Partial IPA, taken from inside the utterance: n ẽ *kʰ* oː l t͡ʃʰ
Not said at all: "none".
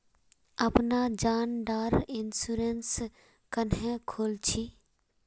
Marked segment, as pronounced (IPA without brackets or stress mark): kʰ